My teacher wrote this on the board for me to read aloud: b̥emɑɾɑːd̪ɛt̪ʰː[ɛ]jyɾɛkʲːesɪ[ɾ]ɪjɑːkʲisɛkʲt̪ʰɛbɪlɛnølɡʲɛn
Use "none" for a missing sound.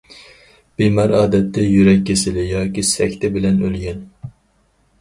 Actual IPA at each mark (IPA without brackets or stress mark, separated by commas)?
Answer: ɛ, l